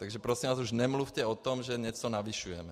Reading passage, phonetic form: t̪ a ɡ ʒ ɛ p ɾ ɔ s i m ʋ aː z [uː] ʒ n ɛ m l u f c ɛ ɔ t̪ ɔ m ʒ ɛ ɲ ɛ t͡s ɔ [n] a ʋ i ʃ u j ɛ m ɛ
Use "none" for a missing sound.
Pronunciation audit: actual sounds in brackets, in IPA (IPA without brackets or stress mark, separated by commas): u, n